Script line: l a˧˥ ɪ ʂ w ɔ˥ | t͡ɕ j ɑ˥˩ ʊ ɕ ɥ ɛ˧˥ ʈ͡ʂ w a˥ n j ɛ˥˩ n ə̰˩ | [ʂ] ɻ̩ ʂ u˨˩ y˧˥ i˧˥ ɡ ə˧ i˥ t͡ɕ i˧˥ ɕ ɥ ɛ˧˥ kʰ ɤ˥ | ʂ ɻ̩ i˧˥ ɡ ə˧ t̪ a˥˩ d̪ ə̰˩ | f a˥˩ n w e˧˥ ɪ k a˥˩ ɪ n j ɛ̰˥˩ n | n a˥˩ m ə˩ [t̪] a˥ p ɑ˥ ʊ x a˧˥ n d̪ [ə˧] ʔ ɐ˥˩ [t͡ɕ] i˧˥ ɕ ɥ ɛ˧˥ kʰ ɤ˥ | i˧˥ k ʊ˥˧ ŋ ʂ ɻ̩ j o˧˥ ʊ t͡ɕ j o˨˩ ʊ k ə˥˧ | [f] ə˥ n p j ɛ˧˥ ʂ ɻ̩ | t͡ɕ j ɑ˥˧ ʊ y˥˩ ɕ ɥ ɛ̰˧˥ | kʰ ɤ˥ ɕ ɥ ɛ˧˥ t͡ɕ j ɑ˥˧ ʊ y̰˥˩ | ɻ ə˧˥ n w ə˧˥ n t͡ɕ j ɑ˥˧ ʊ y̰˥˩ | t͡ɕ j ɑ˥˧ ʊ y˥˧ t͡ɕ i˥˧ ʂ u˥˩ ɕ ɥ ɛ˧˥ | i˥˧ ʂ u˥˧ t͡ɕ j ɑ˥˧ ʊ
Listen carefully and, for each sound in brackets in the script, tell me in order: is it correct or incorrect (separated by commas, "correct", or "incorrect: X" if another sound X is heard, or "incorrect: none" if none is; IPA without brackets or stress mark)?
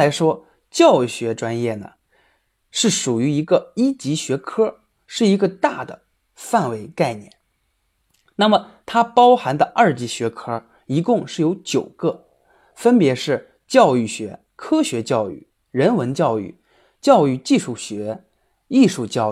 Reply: correct, incorrect: t̪ʰ, correct, correct, correct